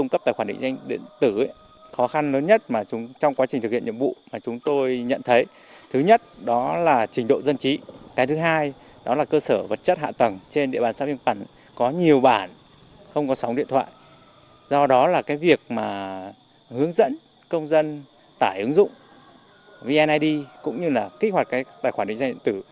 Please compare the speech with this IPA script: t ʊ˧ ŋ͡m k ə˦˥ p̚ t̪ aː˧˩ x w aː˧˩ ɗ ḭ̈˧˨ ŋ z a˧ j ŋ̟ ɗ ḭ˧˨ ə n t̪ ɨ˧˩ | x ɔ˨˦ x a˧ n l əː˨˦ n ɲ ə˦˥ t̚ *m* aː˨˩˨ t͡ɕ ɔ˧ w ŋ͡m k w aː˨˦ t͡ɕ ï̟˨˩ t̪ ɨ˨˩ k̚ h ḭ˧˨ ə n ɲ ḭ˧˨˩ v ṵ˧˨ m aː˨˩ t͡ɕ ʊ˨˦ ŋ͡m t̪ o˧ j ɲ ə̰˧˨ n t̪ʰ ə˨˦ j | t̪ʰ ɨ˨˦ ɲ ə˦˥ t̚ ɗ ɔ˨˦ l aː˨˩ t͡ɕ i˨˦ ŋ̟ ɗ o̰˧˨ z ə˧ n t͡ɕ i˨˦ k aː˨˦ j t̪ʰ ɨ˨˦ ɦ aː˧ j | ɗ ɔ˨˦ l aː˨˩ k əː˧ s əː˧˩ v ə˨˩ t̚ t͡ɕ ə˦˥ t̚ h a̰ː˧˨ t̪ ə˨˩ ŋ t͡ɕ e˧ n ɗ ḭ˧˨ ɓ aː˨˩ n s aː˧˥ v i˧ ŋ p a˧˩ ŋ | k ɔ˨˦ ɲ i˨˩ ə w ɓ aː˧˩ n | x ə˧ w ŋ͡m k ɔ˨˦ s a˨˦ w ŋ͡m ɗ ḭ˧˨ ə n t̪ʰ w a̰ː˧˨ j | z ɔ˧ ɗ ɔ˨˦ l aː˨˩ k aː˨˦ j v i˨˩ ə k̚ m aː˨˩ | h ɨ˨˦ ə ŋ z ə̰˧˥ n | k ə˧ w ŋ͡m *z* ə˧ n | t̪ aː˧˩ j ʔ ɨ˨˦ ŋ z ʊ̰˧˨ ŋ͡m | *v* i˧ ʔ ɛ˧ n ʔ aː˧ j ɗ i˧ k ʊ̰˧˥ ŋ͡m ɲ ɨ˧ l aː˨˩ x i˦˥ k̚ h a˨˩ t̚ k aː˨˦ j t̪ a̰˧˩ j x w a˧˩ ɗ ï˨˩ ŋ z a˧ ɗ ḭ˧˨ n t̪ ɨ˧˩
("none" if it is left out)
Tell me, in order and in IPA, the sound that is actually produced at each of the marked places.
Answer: m, z, v

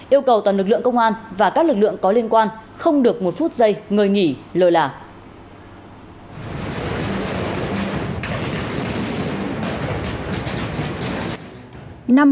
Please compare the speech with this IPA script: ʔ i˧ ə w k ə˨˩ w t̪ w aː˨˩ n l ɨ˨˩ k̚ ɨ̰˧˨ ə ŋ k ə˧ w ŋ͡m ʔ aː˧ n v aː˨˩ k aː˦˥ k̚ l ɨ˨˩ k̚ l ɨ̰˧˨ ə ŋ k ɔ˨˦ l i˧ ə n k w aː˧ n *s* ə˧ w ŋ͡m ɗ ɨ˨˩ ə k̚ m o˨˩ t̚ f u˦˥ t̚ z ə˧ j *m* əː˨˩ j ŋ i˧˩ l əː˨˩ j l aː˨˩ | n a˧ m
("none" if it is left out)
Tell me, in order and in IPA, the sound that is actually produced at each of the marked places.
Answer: x, ŋ

